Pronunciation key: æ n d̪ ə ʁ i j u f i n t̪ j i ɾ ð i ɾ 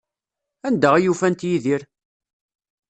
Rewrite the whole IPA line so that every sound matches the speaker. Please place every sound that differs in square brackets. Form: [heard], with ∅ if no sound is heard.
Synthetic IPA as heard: æ n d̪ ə ʁ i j u f [æ] n t̪ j i [∅] ð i ɾ